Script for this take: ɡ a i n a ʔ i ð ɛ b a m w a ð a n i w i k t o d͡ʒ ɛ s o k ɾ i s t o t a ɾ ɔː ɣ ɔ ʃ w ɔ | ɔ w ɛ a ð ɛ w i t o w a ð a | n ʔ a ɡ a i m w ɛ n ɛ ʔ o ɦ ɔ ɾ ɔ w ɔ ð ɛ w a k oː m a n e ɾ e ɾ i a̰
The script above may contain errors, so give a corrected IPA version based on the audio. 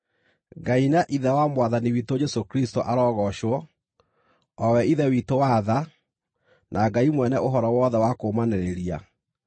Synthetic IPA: ɡ a i n a ʔ i ð ɛ w a m w a ð a n i w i t o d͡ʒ ɛ s o k ɾ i s t o ʔ a ɾ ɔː ɣ ɔ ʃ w ɔ | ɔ w ɛ i ð ɛ w i t o w a ð a | n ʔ a ɡ a i m w ɛ n ɛ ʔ o ɦ ɔ ɾ ɔ w ɔ ð ɛ w a k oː m a n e ɾ e ɾ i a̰

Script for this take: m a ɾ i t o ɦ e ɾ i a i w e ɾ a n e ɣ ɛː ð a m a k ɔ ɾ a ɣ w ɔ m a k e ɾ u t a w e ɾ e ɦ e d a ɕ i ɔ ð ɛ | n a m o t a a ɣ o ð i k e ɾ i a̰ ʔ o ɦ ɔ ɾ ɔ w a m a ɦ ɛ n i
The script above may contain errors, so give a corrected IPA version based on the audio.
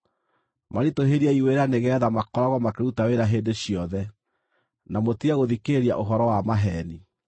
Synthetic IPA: m a ɾ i t o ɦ e ɾ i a i w e ɾ a n e ɣ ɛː ð a m a k ɔ ɾ a ɣ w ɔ m a k e ɾ u t a w e ɾ a ɦ e d e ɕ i ɔ ð ɛ | n a m o t i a ɣ o ð i k e ɾ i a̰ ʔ o ɦ ɔ ɾ ɔ w a m a ɦ ɛ n i

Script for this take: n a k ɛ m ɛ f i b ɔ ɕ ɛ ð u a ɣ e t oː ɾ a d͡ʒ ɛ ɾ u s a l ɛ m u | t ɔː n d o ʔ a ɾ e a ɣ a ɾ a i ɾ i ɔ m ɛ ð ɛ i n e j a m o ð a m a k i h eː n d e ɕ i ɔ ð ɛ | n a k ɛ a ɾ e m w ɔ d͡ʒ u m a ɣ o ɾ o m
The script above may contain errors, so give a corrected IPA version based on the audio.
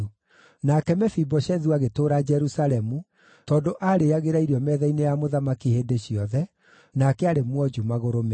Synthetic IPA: n a k ɛ m ɛ f i b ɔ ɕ ɛ ð u a ɣ e t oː ɾ a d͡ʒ ɛ ɾ u s a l ɛ m u | t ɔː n d o ʔ a ɾ e a ɣ e ɾ a i ɾ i ɔ m ɛ ð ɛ i n e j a m o ð a m a k i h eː n d e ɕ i ɔ ð ɛ | n a k ɛ a ɾ e m w ɔ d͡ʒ u m a ɣ o ɾ o m

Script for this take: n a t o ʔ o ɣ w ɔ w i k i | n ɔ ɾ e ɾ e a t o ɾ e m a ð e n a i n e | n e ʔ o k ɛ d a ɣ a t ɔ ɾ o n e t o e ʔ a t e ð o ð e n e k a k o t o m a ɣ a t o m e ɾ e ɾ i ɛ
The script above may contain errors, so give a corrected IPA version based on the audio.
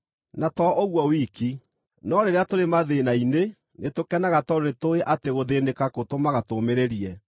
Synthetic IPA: n a t ɔ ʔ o ɣ w ɔ w i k i | n ɔ ɾ e ɾ e a t o ɾ e m a ð e n a i n e | n e t o k ɛ n a ɣ a t ɔ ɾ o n e t o e ʔ a t e ɣ o ð e n e k a k o t o m a ɣ a t o m e ɾ e ɾ i ɛ

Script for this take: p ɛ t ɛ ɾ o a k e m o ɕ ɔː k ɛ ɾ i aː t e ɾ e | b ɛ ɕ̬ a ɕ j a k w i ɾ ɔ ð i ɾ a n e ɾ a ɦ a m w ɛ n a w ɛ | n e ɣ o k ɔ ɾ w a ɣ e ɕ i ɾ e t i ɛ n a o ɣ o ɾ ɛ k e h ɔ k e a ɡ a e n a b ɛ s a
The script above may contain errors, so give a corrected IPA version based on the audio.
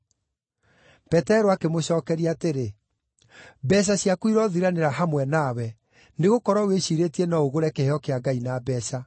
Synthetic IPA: p ɛ t ɛ ɾ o a k e m o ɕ ɔː k ɛ ɾ i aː t e ɾ e | b ɛ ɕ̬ a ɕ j a k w i ɾ ɔ ð i ɾ a n e ɾ a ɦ a m w ɛ n a w ɛ | n e ɣ o k ɔ ɾ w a w e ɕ i ɾ e t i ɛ n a o ɣ o ɾ ɛ k e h ɔ k e a ɡ a i n a b ɛ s a

